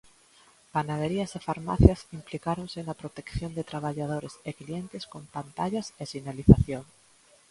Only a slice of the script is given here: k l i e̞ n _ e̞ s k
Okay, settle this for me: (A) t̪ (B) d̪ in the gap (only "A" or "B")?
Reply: A